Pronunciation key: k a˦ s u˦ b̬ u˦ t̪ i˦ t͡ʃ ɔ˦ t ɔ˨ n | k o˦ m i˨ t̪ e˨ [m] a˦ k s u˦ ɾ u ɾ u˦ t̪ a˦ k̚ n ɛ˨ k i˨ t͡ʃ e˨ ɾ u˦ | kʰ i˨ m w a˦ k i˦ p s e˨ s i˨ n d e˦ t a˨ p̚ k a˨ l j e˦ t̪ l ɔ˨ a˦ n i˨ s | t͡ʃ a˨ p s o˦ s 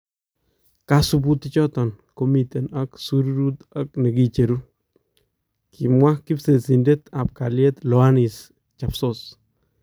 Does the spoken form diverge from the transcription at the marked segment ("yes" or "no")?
yes